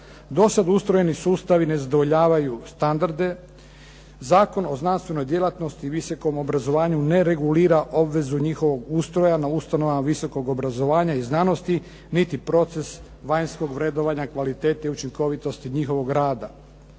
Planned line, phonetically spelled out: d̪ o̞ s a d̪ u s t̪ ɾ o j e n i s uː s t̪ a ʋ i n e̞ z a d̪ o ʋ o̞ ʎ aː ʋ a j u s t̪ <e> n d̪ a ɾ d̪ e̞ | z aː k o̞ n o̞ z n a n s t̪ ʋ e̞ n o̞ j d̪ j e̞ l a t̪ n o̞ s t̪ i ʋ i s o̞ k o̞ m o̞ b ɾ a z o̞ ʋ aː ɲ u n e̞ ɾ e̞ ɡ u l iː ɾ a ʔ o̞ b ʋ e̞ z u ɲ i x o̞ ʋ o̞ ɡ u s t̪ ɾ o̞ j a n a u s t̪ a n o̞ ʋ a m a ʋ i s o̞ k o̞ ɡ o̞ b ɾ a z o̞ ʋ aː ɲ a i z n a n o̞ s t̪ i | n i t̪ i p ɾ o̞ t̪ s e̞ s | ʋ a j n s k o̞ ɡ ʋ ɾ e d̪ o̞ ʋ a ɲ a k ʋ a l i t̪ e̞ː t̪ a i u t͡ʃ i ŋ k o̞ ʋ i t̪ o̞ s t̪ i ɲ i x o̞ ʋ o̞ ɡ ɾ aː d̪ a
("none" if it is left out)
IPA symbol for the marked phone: a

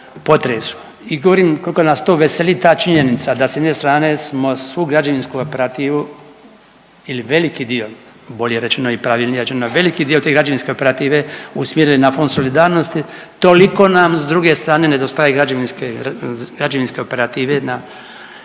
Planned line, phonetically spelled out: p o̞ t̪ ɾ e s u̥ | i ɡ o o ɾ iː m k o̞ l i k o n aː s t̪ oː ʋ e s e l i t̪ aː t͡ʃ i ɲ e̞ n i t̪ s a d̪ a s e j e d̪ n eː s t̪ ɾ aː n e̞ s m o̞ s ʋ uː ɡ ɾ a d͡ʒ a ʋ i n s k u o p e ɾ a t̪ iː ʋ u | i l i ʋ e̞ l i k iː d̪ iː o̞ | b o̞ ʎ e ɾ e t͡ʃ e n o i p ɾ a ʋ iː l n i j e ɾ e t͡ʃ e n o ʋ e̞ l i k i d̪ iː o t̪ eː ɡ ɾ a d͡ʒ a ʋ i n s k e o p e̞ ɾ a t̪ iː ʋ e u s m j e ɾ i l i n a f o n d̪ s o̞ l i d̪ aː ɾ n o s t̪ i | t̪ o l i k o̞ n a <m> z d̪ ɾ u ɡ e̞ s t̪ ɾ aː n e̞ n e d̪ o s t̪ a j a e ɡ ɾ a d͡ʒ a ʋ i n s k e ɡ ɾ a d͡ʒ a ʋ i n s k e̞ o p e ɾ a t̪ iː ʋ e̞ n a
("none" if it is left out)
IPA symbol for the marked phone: m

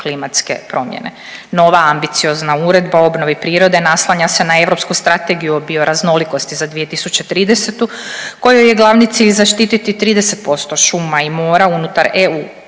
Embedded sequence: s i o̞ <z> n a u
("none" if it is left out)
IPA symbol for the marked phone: z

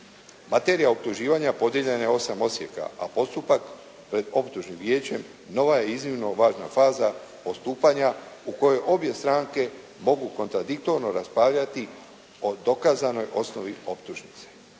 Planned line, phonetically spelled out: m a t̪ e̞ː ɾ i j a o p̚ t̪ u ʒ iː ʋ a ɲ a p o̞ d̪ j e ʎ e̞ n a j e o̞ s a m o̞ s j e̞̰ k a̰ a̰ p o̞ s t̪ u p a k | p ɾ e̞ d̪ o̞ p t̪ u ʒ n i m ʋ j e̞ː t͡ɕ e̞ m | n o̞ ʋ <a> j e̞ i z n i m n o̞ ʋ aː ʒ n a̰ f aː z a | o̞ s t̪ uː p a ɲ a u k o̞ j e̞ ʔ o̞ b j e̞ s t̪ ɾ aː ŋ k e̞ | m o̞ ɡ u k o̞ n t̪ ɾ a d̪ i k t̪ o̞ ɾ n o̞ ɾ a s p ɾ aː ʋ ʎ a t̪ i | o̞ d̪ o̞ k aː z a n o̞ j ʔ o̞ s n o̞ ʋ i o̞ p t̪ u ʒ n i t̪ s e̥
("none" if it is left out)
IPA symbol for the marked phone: a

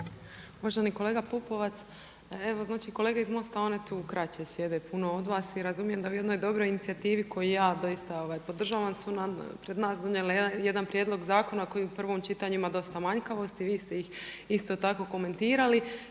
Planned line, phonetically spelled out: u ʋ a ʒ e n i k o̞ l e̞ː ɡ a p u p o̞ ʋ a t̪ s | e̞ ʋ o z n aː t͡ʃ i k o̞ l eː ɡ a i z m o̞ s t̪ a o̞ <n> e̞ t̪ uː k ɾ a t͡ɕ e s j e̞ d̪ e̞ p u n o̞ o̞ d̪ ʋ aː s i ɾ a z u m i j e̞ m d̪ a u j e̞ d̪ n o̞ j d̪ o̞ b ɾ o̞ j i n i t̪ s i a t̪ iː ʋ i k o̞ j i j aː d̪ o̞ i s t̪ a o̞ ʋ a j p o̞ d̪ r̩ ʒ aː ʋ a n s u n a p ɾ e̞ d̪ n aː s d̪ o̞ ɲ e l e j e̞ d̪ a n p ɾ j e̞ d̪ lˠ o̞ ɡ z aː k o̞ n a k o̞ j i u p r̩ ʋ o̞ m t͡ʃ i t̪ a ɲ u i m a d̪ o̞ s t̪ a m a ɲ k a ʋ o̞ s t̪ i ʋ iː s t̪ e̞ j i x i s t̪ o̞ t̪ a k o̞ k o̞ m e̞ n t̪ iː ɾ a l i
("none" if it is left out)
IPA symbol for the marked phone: n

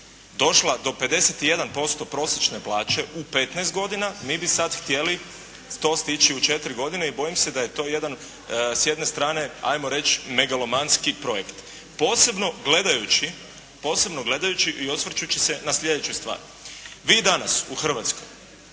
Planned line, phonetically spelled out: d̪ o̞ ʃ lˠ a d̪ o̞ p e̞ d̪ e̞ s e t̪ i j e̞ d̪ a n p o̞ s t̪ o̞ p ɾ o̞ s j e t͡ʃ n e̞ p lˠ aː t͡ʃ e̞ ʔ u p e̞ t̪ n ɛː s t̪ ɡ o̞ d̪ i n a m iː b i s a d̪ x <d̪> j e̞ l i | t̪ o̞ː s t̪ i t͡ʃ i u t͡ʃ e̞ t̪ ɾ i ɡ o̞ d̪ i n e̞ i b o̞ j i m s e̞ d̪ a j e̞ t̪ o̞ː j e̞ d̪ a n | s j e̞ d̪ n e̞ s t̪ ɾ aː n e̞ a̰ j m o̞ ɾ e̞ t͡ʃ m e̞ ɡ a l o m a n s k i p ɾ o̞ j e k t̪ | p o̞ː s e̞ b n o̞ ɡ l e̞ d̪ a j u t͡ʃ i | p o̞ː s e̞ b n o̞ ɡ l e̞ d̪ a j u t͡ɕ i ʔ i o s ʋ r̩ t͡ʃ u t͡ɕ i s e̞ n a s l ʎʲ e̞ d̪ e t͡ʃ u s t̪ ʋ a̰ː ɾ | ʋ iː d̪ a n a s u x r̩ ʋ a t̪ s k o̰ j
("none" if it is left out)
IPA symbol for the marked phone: t̪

